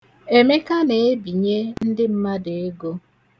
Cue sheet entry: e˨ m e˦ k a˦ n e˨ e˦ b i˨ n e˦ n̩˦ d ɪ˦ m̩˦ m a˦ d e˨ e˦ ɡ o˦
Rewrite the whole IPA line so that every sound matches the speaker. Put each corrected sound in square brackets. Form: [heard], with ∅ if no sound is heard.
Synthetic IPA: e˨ m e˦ k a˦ n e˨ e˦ b i˨ [ɲ] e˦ n̩˦ d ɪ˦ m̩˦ m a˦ d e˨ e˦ ɡ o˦